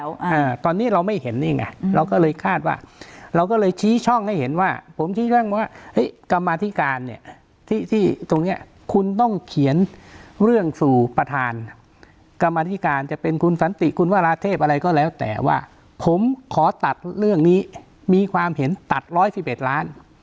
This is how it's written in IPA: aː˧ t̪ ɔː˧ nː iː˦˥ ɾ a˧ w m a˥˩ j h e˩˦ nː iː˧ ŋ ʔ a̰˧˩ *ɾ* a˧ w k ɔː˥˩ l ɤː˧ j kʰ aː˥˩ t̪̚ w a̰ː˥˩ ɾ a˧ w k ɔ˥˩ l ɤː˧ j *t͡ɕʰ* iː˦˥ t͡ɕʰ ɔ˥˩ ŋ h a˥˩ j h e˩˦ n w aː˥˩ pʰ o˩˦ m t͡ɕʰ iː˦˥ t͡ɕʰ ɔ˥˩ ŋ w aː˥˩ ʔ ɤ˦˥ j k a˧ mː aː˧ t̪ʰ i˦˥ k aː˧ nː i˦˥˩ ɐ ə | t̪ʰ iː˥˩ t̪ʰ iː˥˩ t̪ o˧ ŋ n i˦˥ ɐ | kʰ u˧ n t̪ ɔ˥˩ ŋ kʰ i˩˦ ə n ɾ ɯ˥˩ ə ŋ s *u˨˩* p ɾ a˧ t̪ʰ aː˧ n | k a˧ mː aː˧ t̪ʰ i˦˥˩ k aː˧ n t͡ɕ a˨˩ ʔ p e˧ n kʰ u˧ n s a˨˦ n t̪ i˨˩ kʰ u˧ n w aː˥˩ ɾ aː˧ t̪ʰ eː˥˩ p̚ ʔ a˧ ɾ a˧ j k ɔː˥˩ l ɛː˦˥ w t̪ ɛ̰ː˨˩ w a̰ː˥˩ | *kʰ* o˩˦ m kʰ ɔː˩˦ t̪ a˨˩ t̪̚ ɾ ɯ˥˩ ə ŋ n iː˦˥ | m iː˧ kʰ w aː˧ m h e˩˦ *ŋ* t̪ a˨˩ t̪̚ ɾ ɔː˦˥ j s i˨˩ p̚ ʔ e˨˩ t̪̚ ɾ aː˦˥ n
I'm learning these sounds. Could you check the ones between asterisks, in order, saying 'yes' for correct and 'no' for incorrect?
yes, yes, no, no, no

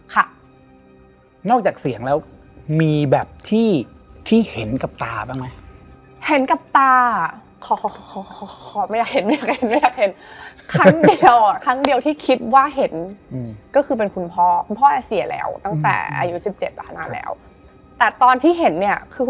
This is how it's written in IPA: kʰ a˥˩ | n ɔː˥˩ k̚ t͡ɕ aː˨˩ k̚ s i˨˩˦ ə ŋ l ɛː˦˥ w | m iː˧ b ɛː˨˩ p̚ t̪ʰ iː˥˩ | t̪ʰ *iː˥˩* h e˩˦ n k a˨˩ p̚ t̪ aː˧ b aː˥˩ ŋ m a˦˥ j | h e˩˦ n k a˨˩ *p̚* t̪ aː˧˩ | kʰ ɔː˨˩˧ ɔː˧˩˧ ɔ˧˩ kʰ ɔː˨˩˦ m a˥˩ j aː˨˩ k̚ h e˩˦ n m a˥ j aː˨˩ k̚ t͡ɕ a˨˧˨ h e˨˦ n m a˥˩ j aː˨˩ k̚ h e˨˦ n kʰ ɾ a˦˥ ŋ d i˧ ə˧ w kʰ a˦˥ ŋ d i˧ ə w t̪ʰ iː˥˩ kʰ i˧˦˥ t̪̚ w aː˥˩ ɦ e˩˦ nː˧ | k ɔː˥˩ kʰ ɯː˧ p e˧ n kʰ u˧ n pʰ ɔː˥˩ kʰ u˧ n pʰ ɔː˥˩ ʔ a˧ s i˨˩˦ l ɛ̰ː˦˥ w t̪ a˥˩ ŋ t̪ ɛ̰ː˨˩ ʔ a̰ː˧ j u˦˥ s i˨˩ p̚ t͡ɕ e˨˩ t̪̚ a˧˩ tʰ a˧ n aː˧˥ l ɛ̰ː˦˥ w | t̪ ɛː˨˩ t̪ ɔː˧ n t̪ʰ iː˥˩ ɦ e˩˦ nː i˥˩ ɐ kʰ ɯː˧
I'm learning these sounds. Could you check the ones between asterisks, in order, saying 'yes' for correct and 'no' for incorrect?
yes, yes

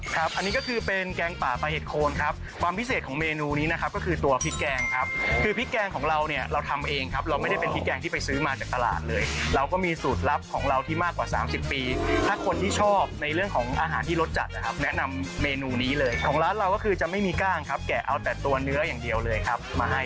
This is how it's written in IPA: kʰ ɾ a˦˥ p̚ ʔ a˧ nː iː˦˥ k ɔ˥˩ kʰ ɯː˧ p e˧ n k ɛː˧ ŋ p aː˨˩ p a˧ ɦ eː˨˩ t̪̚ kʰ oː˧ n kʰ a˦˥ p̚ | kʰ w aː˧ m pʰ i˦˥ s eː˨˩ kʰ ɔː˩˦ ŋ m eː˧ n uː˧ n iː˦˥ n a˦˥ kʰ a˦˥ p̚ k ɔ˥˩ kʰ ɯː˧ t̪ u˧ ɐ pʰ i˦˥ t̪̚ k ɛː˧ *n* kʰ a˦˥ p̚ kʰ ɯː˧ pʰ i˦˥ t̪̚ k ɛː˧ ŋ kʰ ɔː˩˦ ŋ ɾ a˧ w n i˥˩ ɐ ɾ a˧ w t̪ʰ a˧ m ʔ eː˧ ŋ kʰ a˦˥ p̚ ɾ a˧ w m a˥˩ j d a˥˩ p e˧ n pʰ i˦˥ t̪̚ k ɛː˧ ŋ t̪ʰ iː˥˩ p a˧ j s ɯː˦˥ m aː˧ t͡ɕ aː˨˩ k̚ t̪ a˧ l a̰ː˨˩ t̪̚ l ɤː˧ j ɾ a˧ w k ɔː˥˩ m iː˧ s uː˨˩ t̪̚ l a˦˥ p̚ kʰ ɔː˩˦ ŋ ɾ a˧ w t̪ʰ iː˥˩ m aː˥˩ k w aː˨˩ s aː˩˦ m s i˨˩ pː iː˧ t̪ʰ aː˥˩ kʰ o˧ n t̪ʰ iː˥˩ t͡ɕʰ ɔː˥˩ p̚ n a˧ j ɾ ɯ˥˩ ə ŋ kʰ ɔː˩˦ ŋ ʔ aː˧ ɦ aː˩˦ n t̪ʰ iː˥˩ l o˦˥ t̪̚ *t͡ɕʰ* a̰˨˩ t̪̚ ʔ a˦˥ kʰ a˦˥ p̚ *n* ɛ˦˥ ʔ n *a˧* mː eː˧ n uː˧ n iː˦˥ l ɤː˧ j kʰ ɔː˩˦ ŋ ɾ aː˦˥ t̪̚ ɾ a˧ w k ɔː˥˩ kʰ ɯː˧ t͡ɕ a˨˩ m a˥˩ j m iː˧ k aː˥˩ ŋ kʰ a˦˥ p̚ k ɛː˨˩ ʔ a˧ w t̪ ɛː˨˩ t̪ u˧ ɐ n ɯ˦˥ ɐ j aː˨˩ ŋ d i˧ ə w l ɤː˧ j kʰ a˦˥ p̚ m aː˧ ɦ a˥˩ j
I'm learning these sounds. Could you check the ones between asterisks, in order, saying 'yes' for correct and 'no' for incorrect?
no, no, yes, yes

